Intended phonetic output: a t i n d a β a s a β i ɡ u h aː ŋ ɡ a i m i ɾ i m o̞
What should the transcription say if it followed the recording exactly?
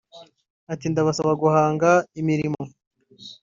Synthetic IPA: a t i n d a β a s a β a ɡ u h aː ŋ ɡ a i m i ɾ i m o̞